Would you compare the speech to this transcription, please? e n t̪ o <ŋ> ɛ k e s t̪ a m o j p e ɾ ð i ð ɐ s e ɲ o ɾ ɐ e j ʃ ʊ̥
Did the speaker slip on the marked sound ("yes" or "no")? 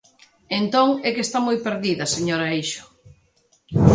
no